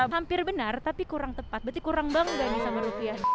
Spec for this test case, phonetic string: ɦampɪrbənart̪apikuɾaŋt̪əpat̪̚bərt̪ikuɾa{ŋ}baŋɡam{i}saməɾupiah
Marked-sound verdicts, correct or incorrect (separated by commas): correct, correct